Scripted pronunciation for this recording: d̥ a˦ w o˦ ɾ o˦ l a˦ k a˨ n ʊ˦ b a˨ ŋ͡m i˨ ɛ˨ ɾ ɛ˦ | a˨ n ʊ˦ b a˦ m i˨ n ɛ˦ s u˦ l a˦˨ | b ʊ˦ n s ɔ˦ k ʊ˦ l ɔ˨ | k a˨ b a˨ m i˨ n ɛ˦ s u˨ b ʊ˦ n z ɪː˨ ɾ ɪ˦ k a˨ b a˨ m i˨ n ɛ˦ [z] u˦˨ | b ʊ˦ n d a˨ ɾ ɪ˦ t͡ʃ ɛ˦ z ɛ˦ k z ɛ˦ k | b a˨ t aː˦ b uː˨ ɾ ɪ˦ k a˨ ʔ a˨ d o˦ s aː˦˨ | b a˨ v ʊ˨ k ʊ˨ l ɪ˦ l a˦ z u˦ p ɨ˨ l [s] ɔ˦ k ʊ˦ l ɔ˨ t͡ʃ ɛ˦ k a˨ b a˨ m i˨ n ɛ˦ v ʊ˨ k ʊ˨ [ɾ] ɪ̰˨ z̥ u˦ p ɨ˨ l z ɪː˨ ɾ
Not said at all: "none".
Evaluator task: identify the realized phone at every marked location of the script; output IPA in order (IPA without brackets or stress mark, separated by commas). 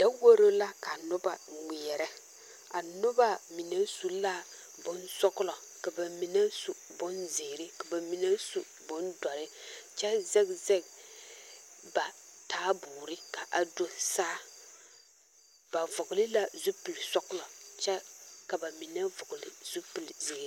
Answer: s, s, l